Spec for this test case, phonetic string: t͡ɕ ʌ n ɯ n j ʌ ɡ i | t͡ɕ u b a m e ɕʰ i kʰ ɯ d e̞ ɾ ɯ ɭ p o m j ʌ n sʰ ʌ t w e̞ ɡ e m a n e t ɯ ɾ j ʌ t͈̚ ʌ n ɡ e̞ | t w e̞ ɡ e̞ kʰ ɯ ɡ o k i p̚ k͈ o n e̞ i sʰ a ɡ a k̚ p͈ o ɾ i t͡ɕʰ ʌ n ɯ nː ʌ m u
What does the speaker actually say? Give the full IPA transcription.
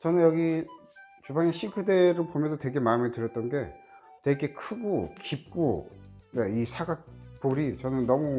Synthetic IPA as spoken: t͡ɕ ʌ n ɯ n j ʌ ɡ i | t͡ɕ u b a ŋ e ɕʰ i kʰ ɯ d e̞ ɾ ɯ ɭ p o m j ʌ n sʰ ʌ t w e̞ ɡ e m a m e t ɯ ɾ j ʌ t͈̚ ʌ n ɡ e̞ | t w e̞ ɡ e̞ kʰ ɯ ɡ o k i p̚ k͈ o n e̞ i sʰ a ɡ a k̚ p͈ o ɾ i t͡ɕ ʌ n ɯ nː ʌ m u